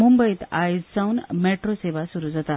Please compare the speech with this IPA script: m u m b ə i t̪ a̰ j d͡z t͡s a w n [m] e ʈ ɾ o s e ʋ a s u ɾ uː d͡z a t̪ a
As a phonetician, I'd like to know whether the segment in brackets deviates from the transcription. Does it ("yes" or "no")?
no